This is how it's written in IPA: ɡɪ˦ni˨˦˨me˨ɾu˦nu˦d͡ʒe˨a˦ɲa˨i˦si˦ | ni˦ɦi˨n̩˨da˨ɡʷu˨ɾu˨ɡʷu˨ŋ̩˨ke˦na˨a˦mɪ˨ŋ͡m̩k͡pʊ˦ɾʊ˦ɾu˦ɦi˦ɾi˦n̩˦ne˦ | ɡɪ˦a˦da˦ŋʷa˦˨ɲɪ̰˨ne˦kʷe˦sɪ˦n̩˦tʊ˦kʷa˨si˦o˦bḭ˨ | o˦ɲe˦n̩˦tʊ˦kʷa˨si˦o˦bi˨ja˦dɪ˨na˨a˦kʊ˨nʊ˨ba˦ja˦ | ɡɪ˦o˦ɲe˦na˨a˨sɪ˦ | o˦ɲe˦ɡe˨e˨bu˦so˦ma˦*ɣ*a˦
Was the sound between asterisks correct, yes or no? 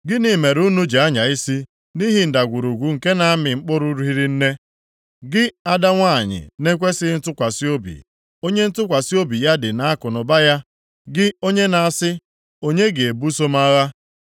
yes